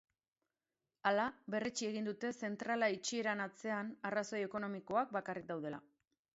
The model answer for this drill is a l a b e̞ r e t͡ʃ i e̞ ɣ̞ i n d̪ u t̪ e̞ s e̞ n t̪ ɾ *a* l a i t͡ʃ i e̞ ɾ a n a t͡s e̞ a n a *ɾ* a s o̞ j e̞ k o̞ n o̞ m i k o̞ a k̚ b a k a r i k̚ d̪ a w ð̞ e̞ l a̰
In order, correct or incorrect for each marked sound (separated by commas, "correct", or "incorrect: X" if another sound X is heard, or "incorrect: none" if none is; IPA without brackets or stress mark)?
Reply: correct, incorrect: r